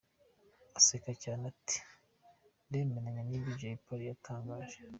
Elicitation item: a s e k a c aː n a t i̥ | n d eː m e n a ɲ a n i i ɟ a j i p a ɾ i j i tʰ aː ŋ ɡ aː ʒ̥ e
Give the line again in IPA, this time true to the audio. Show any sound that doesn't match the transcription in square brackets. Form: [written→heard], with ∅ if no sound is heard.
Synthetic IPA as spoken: a s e k a c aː n a t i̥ | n d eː m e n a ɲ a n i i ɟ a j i p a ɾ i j [i→a] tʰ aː ŋ ɡ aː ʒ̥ e